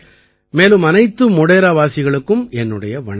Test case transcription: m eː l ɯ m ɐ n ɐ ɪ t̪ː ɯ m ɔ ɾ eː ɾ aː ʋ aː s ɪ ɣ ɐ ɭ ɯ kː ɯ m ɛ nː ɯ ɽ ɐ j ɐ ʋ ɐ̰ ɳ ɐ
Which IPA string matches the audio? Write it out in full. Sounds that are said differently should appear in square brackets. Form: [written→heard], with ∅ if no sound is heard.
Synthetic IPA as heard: m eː l ɯ m ɐ n ɐ ɪ t̪ː ɯ m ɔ [ɾ→ɽ] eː ɾ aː ʋ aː s ɪ ɣ ɐ ɭ ɯ kː ɯ m ɛ nː ɯ ɽ ɐ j ɐ ʋ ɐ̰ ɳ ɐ